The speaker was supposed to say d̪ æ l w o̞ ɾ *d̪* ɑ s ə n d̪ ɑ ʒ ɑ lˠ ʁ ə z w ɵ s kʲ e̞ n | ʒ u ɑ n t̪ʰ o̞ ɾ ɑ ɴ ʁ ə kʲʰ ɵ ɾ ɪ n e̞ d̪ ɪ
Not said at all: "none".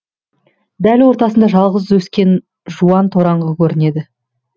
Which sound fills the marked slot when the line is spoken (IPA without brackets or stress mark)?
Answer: t̪